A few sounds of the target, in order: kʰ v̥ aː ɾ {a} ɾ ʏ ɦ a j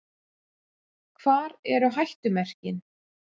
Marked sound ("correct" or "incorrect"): incorrect